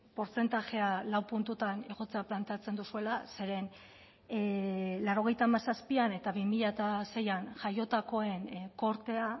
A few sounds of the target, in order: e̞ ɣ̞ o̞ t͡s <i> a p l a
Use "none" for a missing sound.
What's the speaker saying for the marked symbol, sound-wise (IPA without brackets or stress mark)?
e